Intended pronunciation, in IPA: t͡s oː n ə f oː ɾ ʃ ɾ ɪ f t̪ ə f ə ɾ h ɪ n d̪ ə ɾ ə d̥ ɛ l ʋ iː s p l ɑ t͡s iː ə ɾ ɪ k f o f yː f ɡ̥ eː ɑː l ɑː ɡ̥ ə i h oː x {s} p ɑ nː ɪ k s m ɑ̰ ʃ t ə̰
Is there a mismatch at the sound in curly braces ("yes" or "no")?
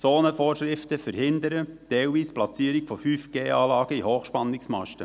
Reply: yes